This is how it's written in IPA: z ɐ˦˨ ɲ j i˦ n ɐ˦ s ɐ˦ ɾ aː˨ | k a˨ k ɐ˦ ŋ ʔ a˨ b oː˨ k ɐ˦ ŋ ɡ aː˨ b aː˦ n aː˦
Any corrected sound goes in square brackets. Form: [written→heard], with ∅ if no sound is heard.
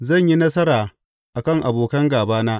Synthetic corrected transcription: z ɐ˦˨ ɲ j i˦ n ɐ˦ s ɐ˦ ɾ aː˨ | [k→ʔ] a˨ k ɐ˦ ŋ ʔ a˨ b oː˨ k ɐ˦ ŋ ɡ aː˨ b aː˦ n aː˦